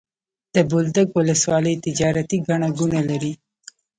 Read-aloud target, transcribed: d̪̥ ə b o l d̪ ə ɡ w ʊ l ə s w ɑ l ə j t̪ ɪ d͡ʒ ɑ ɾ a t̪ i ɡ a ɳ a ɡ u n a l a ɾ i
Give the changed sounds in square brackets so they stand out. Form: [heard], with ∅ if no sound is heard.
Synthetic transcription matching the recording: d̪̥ ə b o l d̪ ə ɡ w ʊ l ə s w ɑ l ə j t̪ ɪ d͡ʒ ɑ ɾ a t̪ i ɡ a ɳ a ɡ u n a l a ɾ i